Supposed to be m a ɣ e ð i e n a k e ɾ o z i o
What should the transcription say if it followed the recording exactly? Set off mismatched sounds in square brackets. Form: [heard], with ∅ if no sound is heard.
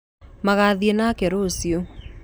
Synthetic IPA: m a ɣ [a] ð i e n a k e ɾ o [s] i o